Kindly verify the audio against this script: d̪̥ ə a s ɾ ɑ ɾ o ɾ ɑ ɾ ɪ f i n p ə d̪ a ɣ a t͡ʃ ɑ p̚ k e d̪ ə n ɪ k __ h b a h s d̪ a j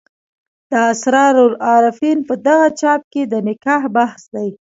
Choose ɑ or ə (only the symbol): ɑ